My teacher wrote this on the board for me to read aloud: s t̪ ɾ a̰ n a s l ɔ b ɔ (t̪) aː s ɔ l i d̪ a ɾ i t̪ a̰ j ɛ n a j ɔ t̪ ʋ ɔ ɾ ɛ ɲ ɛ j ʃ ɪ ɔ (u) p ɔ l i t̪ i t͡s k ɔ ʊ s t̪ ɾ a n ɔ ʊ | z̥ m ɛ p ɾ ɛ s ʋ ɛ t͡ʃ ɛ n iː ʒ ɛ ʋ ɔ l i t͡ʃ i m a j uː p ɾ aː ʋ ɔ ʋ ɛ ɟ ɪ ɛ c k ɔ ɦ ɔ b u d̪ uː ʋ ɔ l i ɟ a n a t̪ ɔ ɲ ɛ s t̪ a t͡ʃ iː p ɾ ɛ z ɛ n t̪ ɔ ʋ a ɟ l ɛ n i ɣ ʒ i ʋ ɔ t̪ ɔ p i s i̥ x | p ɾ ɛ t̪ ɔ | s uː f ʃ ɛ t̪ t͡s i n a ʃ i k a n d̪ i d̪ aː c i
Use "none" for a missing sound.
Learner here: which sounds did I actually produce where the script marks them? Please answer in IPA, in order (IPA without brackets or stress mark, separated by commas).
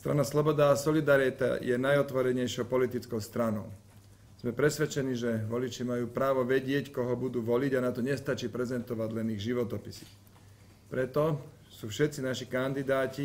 d̪, ʊ